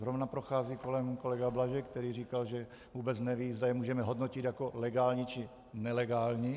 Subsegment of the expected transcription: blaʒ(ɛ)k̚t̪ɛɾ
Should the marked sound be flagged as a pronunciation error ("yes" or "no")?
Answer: no